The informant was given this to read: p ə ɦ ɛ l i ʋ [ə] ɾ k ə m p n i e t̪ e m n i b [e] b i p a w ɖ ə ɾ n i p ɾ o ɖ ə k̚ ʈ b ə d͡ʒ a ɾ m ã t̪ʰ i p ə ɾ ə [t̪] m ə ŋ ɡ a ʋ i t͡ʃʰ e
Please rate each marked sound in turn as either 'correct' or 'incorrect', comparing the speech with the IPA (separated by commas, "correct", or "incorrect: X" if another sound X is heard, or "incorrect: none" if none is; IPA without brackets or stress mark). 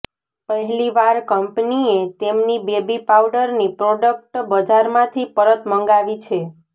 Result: incorrect: a, correct, correct